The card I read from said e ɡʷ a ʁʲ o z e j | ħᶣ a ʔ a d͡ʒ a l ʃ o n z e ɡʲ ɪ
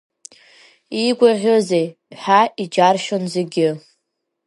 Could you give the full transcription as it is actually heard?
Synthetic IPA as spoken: i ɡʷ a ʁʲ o z e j | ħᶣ a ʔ i d͡ʒ a r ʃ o n z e ɡʲ ɪ